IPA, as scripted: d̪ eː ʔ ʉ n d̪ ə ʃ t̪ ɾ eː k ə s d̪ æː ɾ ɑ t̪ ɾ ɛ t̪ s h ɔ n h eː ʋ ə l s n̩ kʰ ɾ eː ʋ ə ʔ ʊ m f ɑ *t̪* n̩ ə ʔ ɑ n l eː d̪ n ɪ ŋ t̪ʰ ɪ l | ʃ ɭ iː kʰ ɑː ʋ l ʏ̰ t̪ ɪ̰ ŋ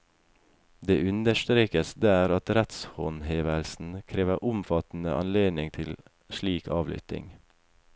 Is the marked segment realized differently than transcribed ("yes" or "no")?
no